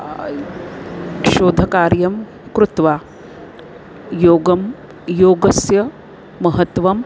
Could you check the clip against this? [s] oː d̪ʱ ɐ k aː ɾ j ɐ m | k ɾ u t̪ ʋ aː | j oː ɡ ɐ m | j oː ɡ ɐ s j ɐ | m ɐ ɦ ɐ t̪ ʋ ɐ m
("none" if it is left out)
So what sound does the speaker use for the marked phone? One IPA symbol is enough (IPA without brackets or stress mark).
ʃ